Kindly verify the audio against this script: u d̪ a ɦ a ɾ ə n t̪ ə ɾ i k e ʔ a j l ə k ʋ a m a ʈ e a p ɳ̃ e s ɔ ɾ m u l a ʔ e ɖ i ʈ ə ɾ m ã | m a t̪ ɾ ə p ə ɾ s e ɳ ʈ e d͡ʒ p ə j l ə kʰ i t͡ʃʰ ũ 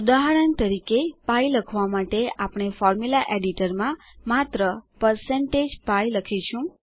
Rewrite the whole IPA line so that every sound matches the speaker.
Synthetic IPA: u d̪ a ɦ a ɾ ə n t̪ ə ɾ i k e p a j l ə kʰ ʋ a m a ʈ e a p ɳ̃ e f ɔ ɾ m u l a ʔ e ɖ i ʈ ə ɾ m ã | m a t̪ ɾ ə p ə ɾ s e ɳ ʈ e d͡ʒ p a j l ə kʰ i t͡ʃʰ ũ

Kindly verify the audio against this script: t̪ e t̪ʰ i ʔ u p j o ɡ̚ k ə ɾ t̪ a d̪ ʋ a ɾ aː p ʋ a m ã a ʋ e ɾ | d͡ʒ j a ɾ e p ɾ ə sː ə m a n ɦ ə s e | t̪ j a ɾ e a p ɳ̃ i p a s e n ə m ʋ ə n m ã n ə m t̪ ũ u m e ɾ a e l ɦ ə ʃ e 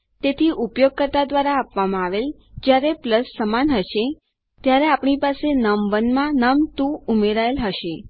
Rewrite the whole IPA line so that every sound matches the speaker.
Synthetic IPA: t̪ e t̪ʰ i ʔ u p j o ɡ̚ k ə ɾ t̪ a d̪ ʋ a ɾ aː p ʋ a m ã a ʋ e l | d͡ʒ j a ɾ e p l ə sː ə m a n ɦ ə ʃ e | t̪ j a ɾ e a p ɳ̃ i p a s e n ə m ʋ ə n m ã n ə m t̪ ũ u m e ɾ a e l ɦ ə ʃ e

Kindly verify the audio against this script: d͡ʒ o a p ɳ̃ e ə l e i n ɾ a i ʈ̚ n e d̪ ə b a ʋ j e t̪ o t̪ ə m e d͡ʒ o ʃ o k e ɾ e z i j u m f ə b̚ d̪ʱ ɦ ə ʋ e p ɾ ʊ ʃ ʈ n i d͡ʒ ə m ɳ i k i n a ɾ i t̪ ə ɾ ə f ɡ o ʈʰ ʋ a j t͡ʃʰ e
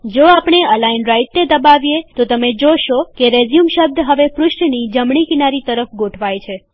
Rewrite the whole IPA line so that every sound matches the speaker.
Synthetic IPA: d͡ʒ o a p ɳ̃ e ə l a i n ɾ a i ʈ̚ n e d̪ ə b a ʋ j e t̪ o t̪ ə m e d͡ʒ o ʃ o k e ɾ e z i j u m ʃ ə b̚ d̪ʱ ɦ ə ʋ e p ɾ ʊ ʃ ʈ n i d͡ʒ ə m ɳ i k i n a ɾ i t̪ ə ɾ ə f ɡ o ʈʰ ʋ a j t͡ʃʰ e

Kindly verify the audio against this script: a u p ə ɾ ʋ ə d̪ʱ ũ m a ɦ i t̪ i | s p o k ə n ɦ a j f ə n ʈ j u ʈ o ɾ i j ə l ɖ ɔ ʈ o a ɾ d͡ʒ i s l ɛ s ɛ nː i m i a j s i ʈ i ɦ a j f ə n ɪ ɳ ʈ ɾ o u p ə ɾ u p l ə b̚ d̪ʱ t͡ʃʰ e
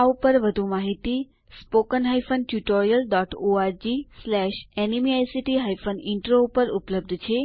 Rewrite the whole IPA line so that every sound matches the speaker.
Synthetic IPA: a u p ə ɾ ʋ ə d̪ʱ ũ m a ɦ i t̪ i | s p o k ə n ɦ a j f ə n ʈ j u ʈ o ɾ i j ə l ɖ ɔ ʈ o a ɾ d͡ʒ i s l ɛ ʃ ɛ n i m i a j s i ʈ i ɦ a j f ə n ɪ ɳ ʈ ɾ o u p ə ɾ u p l ə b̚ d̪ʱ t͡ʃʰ e

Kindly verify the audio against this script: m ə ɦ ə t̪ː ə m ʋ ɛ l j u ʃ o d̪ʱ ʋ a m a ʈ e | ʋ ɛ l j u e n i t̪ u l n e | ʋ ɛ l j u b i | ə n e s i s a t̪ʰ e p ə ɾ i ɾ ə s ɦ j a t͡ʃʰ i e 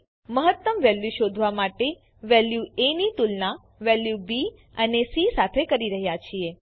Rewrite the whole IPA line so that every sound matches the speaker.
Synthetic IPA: m ə ɦ ə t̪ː ə m ʋ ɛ l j u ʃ o d̪ʱ ʋ a m a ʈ e | ʋ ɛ l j u e n i t̪ u l n a | ʋ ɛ l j u b i | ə n e s i s a t̪ʰ e k ə ɾ i ɾ ə ɦ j a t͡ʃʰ i e

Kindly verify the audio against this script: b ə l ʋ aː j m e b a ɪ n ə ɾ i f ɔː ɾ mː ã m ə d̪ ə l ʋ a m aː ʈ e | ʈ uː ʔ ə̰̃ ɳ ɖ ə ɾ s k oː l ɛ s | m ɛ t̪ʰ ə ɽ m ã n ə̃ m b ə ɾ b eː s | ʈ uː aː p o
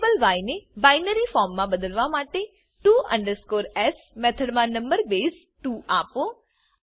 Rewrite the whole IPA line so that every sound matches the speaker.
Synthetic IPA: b ə l ʋ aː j n e b a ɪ n ə ɾ i f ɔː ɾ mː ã b ə d̪ ə l ʋ a m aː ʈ e | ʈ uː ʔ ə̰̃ ɳ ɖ ə ɾ s k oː ɾ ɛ s | m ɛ t̪ʰ ə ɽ m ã n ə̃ m b ə ɾ b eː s | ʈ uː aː p o

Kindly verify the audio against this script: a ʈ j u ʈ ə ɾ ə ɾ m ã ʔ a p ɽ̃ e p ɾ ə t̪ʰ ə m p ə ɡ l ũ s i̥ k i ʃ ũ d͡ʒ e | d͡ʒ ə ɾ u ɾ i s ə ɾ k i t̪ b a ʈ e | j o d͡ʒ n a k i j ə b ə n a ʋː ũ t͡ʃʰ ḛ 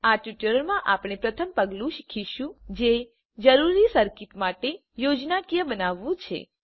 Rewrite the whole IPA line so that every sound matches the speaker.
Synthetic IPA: a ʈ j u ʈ ə ɾ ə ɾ m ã ʔ a p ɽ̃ e p ɾ ə t̪ʰ ə m p ə ɡ l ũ ʃ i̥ kʰ i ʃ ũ d͡ʒ e | d͡ʒ ə ɾ u ɾ i s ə ɾ k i t̪ m a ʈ e | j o d͡ʒ n a k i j ə b ə n a ʋː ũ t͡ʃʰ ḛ

